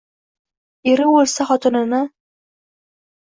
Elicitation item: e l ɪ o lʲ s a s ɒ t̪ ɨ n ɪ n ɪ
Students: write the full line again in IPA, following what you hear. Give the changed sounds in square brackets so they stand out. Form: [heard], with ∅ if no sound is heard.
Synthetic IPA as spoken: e [ɾ] ɪ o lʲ s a [χ] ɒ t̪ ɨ n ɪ n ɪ